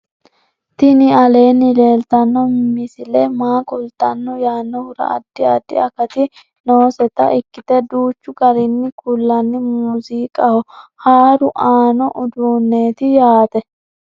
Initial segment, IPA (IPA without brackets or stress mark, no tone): t̪